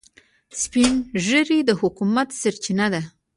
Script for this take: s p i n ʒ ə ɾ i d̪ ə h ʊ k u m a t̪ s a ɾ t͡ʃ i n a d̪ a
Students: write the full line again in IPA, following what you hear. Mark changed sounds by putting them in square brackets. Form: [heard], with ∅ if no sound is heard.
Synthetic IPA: s p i n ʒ ə ɾ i d̪ ə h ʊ k u m a t̪ s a ɾ t͡ʃ i n a d̪ a

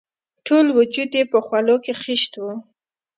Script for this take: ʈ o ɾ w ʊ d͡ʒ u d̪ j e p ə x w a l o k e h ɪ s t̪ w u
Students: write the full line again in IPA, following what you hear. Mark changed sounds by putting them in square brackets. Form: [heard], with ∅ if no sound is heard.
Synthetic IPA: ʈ o [l] w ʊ d͡ʒ u d̪ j e p ə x w a l o k e [x] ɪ [ʃ] t̪ w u

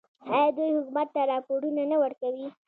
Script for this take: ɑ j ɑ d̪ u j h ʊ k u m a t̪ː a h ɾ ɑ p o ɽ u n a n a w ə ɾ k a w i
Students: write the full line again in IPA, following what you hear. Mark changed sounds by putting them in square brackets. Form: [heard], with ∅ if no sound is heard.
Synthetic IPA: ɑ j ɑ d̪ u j h ʊ k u m a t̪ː a [∅] ɾ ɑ p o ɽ u n a n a w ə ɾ k a w i

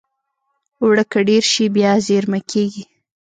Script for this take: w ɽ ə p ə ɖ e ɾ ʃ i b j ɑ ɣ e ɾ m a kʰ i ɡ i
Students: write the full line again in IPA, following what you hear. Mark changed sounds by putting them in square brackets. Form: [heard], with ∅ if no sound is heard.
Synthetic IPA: w ɽ ə [k] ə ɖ e ɾ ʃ i b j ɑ [z] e ɾ m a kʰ [e] ɡ i

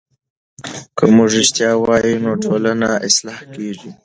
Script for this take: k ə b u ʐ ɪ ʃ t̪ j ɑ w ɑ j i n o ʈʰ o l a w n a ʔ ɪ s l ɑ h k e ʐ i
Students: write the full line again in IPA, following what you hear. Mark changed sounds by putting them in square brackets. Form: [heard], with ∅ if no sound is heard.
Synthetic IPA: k ə [m] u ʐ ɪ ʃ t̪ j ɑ w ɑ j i n o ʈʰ o l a [∅] n a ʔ ɪ s l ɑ h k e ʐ i

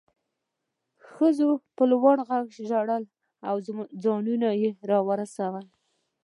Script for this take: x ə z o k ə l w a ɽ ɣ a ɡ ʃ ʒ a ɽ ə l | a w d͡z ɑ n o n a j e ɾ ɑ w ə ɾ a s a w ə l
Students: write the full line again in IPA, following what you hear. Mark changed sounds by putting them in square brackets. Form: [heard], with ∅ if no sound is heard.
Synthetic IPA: x ə z o [p] ə l w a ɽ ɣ a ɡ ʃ ʒ a ɽ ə l | a w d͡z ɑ n [u] n a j e ɾ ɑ w ə ɾ a s a w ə l

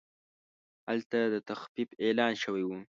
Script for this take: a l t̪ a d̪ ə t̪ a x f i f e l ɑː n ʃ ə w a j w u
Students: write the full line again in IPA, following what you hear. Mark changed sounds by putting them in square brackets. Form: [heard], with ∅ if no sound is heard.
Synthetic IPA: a l t̪ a d̪ ə t̪ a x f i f e l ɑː n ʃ ə w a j w u

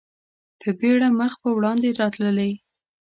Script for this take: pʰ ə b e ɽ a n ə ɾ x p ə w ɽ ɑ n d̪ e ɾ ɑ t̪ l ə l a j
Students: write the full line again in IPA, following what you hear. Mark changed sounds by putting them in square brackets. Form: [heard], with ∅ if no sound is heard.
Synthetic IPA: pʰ ə b e ɽ a [m] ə [∅] x p ə w ɽ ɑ n d̪ e ɾ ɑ t̪ l ə l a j

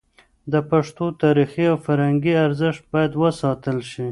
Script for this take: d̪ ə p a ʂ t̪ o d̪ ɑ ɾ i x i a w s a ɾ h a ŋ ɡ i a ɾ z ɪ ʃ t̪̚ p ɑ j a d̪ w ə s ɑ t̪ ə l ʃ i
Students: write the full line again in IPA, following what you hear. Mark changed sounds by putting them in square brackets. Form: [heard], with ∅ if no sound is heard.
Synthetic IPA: d̪ ə p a ʂ t̪ o [t̪] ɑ ɾ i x i a w [f] a ɾ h a ŋ ɡ i a ɾ z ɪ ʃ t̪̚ [b] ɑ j a d̪ w ə s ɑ t̪ ə l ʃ i

